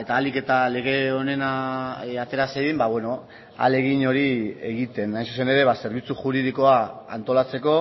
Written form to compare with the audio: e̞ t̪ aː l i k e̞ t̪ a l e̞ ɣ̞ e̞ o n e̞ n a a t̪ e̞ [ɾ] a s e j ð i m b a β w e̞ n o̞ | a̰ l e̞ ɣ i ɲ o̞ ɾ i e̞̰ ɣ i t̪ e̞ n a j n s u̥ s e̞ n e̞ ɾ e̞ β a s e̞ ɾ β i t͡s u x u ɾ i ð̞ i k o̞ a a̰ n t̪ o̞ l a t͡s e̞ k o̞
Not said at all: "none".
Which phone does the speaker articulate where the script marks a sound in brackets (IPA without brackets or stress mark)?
ɾ